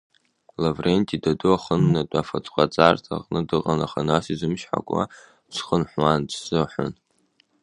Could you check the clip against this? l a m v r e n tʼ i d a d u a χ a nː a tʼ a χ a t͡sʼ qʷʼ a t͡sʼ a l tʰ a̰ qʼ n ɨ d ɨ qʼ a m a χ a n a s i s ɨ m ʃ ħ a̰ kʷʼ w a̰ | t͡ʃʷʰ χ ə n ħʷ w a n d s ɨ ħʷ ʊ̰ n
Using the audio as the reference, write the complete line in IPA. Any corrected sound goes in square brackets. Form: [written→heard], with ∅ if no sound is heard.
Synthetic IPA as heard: l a [m→∅] v r e n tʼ i d a d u a χ [a→ə] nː a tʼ a [χ→f] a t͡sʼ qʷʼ a t͡sʼ a [l→r] tʰ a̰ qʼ n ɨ d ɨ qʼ a [m→n] a χ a n a s i [s→z] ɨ m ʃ ħ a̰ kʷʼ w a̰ | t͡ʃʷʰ χ ə n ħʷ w a n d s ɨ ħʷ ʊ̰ n